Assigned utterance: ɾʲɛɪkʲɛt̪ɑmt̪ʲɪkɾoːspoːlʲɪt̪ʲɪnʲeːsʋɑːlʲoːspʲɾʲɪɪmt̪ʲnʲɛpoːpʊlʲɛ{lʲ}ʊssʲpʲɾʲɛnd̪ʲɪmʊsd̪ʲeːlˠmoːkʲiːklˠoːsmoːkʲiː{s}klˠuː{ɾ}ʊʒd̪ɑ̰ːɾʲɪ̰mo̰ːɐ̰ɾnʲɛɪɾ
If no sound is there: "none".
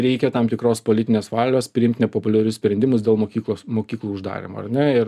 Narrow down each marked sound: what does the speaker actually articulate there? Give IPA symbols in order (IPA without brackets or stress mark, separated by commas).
ɾʲ, none, none